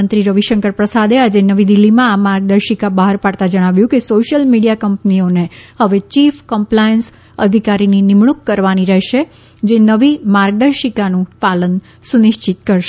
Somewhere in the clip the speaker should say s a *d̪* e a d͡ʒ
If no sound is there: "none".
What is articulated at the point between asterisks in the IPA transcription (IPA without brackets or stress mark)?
d̪